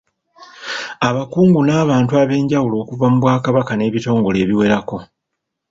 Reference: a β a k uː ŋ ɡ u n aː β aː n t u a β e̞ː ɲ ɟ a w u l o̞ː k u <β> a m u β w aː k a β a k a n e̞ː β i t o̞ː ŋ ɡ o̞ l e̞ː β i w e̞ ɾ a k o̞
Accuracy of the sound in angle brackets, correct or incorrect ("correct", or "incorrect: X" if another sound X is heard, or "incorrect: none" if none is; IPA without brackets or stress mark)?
incorrect: v